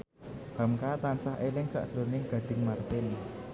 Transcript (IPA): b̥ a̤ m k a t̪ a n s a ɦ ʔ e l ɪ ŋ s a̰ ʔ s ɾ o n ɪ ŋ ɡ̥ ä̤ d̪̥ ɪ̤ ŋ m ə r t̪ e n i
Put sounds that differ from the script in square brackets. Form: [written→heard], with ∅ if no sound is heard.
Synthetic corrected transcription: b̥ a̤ m k a t̪ a n s a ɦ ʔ e l ɪ ŋ s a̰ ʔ s ɾ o n ɪ ŋ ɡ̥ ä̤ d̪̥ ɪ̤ ŋ m [ə→a] r t̪ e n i